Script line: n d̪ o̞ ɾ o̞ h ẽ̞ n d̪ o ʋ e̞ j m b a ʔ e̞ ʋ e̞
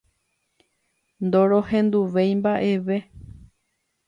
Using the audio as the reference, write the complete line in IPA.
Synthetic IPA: n d̪ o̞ ɾ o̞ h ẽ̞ n d̪ u ʋ e̞ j m b a ʔ e̞ ʋ e̞